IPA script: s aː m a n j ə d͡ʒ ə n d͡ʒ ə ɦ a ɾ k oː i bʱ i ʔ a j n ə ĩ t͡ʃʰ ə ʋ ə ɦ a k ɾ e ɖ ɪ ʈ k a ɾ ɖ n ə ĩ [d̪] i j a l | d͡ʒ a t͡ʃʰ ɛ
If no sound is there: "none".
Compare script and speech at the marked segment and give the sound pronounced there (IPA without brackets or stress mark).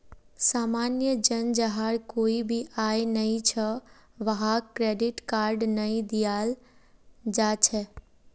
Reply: d̪